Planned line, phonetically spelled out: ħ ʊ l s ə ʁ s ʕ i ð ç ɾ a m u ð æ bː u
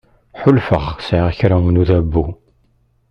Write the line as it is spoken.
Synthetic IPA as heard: ħ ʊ l f ə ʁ s ʕ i ʁ ç ɾ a n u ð æ bː u